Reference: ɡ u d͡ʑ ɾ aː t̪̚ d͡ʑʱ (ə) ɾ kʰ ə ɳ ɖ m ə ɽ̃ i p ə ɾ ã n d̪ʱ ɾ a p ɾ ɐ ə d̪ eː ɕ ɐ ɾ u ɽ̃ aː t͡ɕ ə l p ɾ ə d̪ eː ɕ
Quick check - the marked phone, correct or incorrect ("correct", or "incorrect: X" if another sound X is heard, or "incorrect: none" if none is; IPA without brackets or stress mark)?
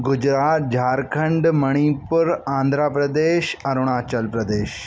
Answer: incorrect: a